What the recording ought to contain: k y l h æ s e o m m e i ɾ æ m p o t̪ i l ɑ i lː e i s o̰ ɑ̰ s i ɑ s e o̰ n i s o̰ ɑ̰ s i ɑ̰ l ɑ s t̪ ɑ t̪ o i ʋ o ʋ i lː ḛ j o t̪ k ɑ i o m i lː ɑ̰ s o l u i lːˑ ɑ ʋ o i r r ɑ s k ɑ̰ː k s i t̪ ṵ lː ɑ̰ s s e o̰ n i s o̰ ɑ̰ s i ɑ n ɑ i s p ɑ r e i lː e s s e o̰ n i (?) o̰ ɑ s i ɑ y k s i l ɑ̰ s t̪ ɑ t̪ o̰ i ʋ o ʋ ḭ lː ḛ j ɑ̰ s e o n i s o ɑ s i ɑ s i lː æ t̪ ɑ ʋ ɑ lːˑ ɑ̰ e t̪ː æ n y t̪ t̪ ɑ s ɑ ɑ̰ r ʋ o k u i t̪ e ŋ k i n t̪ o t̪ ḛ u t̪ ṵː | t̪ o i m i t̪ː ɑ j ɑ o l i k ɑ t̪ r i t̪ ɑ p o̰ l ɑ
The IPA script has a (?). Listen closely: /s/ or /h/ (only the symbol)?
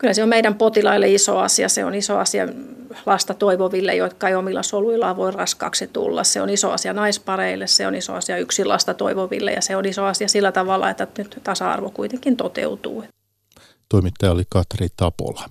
s